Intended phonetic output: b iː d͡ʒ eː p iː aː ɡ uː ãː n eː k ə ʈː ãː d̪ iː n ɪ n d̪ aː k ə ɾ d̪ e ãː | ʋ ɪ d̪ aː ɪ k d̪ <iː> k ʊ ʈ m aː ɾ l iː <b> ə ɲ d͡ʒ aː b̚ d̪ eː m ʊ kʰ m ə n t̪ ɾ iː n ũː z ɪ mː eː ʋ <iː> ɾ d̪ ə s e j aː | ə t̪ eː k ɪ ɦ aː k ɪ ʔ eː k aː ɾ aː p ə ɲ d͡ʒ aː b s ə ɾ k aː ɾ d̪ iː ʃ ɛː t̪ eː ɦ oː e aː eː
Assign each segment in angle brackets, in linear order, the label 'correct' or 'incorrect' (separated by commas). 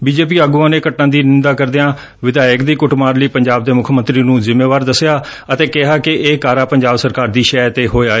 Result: correct, incorrect, incorrect